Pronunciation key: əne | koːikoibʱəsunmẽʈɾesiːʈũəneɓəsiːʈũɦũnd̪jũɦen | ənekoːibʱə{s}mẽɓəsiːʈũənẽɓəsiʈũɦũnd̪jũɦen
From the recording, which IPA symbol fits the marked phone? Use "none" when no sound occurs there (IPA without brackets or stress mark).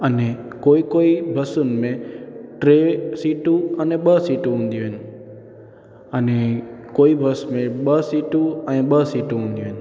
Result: s